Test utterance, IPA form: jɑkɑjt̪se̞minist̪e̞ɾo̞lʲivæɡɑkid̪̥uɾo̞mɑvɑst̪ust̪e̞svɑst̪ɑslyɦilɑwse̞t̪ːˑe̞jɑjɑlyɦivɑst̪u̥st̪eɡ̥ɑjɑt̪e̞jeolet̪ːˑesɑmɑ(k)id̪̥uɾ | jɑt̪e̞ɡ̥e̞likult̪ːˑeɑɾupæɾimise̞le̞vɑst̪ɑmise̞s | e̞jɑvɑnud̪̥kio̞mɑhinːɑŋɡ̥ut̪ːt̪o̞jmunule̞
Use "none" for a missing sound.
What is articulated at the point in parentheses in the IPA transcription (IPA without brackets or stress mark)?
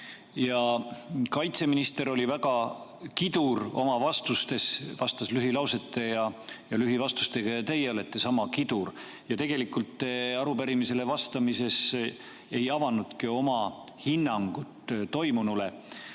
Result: k